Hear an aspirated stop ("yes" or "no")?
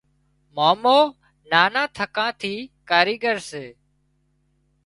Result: yes